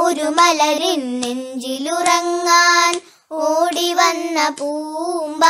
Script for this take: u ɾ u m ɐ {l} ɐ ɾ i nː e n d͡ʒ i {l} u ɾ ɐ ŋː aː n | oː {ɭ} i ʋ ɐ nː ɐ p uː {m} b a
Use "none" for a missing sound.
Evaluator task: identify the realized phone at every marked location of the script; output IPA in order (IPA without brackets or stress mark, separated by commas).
l, l, ɽ, m